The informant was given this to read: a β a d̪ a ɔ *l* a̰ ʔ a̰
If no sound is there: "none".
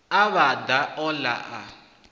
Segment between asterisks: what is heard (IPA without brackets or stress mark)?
l